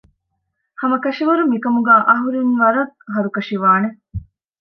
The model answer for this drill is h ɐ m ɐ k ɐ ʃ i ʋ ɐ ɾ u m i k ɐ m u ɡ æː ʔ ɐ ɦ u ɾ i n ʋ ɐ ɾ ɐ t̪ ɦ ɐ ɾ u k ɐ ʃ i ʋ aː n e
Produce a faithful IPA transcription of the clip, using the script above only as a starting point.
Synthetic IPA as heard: h ɐ m ɐ k ɐ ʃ i ʋ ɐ ɾ u m i k ɐ m u ɡ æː ʔ ɐ ɦ u ɾ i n ʋ ɐ ɾ ɐ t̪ ɦ ɐ ɾ u k ɐ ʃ i ʋ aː n e